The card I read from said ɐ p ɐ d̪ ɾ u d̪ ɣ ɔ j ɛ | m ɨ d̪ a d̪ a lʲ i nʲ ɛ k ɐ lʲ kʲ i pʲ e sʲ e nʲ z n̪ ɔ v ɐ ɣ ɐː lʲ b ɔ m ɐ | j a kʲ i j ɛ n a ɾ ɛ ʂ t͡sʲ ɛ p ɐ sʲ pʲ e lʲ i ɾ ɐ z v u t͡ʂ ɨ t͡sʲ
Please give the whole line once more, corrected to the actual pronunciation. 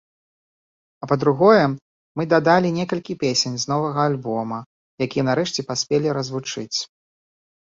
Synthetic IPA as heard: ɐ p ɐ d̪ ɾ u ɣ ɔ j ɛ | m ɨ d̪ a d̪ a lʲ i nʲ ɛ k ɐ lʲ kʲ i pʲ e sʲ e nʲ z n̪ ɔ v ɐ ɣ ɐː lʲ b ɔ m ɐ | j a kʲ i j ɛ n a ɾ ɛ ʂ t͡sʲ ɛ p a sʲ pʲ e lʲ i ɾ ɐ z v u t͡ʂ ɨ t͡sʲ